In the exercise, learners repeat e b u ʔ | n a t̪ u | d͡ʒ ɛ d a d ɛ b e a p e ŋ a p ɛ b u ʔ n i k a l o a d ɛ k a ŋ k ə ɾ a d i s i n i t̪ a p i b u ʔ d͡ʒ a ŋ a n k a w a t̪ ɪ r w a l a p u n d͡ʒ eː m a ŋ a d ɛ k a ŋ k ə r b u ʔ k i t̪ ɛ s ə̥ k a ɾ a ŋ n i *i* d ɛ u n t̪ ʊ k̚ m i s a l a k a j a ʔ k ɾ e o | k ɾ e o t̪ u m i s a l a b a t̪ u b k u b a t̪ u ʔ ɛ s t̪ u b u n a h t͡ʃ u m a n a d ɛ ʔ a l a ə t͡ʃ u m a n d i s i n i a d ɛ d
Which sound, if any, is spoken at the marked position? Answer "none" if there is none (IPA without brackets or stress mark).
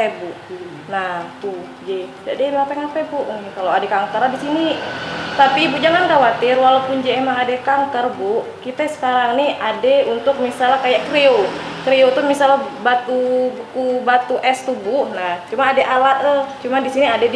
a